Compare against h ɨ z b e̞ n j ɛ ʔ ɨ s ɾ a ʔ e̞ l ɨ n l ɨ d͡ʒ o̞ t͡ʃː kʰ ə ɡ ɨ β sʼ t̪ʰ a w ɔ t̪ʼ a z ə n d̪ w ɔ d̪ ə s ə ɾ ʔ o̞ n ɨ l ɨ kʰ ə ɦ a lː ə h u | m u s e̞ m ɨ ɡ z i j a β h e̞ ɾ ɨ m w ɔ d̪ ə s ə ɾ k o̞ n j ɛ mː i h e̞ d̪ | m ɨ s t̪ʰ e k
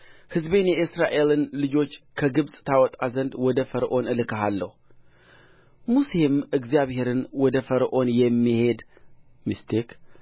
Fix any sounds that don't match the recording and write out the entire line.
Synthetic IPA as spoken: h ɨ z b e̞ n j ɛ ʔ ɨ s ɾ a ʔ e̞ l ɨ n l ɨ d͡ʒ o̞ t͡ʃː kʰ ə ɡ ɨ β sʼ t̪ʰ a w ɔ t̪ʼ a z ə n d̪ w ɔ d̪ ə f ə ɾ ʔ o̞ n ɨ l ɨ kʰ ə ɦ a lː ə h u | m u s e̞ m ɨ ɡ z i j a β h e̞ ɾ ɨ n w ɔ d̪ ə f ə ɾ ʔ o̞ n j ɛ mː i h e̞ d̪ | m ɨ s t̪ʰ e k